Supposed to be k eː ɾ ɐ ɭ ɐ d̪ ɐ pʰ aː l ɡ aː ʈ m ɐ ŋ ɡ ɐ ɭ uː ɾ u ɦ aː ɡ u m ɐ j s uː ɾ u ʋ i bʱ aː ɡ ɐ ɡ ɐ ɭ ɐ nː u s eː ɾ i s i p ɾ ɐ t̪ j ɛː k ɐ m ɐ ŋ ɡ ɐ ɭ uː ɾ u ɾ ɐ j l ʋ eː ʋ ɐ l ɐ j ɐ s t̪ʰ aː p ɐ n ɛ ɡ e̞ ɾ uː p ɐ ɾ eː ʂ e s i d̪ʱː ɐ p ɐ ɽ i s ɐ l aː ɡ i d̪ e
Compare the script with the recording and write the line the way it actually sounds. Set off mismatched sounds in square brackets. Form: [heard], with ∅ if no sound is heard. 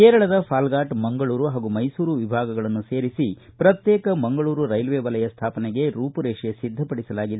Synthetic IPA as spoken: k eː ɾ ɐ ɭ ɐ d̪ ɐ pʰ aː l ɡ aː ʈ m ɐ ŋ ɡ ɐ ɭ uː ɾ u ɦ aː ɡ u m ɐ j s uː ɾ u ʋ i bʱ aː ɡ ɐ ɡ ɐ ɭ ɐ nː u s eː ɾ i s i p ɾ ɐ t̪ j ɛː k ɐ m ɐ ŋ ɡ ɐ ɭ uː ɾ u ɾ ɐ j l ʋ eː ʋ ɐ l ɐ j ɐ s t̪ʰ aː p ɐ n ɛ ɡ e̞ ɾ uː p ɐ ɾ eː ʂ e s i d̪ʱː ɐ p ɐ ɽ i s ɐ l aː ɡ i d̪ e